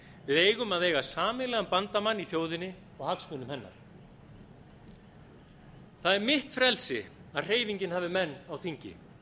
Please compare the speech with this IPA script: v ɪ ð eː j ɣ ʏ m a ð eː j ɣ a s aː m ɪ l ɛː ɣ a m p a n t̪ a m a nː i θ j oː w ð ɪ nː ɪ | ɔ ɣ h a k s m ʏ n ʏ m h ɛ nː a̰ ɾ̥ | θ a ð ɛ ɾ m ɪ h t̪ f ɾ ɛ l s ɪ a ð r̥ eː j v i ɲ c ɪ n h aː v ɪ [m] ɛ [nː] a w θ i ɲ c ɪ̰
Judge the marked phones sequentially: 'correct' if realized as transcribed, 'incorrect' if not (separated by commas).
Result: correct, correct